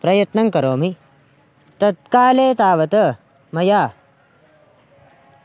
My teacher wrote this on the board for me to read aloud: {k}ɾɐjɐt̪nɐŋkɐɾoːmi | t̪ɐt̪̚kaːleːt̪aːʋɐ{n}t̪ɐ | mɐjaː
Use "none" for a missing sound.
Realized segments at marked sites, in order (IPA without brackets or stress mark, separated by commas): p, none